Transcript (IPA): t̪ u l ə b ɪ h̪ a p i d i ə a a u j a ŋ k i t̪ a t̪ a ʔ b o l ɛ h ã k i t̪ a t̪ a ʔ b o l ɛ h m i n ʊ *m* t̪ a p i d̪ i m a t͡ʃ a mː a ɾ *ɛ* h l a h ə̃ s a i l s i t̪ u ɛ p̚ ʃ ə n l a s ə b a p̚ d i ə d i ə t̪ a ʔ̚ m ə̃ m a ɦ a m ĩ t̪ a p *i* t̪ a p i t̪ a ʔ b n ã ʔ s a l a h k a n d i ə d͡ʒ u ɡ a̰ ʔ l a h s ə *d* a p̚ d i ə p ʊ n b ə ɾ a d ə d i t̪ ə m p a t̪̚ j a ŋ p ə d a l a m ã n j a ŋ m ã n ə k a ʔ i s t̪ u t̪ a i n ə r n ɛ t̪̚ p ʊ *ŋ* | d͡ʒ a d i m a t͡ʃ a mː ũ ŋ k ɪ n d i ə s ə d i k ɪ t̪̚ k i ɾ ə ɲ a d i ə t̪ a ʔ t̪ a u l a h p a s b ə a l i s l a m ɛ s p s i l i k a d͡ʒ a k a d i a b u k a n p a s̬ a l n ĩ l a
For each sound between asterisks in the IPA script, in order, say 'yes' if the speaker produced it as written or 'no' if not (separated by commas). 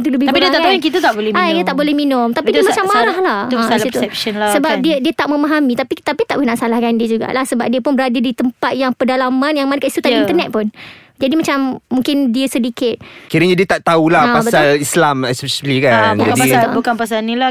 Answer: yes, no, yes, no, no